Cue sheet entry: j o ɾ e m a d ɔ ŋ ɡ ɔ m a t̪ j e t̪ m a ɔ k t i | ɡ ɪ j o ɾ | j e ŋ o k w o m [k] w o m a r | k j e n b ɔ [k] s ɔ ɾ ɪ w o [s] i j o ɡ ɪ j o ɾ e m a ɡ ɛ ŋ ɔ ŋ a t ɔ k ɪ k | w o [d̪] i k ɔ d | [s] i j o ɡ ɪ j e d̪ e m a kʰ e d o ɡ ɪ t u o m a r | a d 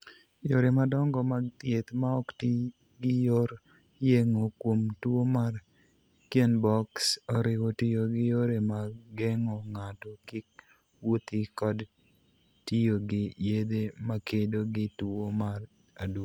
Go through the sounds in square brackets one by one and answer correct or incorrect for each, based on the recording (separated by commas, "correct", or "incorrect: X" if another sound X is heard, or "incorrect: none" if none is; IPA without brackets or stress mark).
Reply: incorrect: t, correct, incorrect: t, incorrect: t̪, incorrect: t